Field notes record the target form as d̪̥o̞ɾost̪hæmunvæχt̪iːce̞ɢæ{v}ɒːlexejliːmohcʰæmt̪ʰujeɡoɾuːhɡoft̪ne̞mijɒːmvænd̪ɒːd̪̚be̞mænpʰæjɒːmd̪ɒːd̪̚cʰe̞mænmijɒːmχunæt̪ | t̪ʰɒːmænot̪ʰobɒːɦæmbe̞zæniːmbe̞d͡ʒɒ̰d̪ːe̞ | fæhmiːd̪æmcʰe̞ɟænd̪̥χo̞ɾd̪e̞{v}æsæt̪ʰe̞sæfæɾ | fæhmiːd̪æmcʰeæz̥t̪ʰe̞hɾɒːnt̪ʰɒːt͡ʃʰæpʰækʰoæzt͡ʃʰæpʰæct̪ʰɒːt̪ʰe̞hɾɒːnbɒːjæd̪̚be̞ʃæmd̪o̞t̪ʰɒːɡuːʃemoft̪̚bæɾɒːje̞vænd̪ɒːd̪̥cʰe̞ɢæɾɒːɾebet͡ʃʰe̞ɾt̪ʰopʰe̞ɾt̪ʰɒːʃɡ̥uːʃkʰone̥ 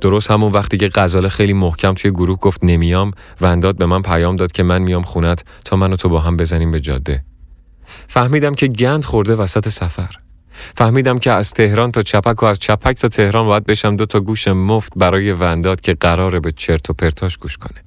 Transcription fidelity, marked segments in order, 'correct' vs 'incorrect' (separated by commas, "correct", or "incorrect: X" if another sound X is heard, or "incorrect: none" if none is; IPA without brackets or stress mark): incorrect: z, correct